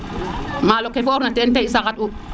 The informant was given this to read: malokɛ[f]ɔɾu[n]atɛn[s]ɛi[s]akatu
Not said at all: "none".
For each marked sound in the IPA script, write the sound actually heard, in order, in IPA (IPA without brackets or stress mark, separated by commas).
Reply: f, n, t, s